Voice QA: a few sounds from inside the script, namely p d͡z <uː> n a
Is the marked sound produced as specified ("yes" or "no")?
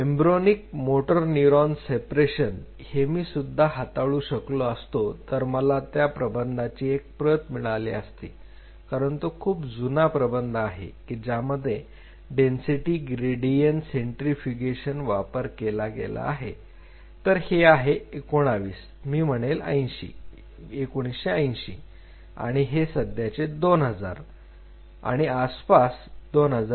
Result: no